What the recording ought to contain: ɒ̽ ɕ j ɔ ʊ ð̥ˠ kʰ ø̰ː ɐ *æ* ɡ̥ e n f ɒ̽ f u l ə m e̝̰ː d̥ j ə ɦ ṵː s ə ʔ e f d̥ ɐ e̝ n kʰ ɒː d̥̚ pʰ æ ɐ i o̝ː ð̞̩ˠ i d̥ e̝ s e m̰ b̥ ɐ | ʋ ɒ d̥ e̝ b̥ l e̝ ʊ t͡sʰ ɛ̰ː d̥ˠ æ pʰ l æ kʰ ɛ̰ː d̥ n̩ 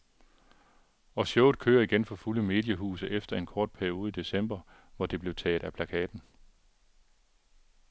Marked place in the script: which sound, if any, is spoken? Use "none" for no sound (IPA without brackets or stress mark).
i